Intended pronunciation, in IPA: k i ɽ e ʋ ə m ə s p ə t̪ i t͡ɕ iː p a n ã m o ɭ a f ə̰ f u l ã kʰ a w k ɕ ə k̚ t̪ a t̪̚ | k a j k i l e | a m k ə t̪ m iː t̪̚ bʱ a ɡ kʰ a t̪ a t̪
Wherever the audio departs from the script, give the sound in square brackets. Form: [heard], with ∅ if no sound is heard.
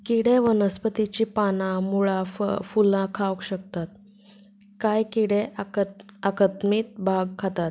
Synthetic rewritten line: k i ɽ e ʋ ə [n] ə s p ə t̪ i t͡ɕ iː p a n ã m [u] ɭ a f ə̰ f u l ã kʰ a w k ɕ ə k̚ t̪ a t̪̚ | k a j k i [ɽ] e | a [∅] k ə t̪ m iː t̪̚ bʱ a ɡ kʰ a t̪ a t̪